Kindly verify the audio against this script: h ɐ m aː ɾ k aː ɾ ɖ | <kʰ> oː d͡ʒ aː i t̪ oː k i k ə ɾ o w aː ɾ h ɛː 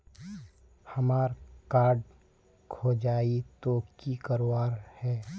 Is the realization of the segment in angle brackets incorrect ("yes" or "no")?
no